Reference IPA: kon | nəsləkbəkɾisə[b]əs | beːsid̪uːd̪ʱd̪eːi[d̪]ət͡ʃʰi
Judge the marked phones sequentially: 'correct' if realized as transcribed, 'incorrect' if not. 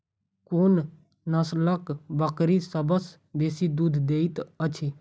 correct, incorrect

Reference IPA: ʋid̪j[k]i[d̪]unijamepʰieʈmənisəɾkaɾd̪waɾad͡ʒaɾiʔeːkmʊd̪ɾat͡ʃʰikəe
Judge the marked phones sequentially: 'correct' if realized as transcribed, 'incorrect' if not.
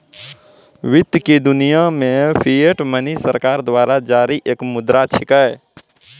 correct, correct

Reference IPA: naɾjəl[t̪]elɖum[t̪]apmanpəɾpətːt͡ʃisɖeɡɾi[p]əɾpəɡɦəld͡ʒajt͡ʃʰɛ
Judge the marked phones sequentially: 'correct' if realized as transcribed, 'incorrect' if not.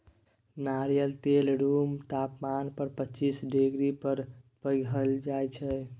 correct, correct, correct

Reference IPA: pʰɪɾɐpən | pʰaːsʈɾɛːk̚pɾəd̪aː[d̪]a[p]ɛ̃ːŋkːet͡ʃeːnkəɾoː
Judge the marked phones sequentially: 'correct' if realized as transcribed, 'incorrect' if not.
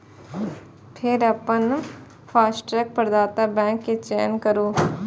incorrect, incorrect

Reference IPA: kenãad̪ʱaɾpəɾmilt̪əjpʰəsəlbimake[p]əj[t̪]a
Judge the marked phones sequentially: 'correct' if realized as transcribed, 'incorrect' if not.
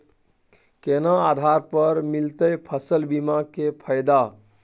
incorrect, incorrect

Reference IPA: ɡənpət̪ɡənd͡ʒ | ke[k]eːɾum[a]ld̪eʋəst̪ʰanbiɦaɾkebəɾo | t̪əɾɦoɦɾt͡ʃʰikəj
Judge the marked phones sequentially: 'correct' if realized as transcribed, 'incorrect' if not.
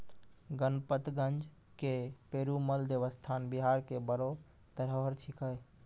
incorrect, incorrect

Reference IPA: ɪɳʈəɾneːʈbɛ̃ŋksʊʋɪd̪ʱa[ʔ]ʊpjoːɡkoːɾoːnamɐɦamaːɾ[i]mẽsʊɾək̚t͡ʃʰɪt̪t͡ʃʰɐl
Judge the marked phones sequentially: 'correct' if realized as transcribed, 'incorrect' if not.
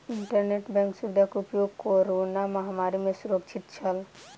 incorrect, correct

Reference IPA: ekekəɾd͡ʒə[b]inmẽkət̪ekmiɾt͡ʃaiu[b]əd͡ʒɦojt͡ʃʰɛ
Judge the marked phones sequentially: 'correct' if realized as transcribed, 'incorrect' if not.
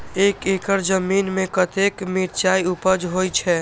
incorrect, incorrect

